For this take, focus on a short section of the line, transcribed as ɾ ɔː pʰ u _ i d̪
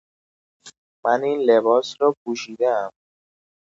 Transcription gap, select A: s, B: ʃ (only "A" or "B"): B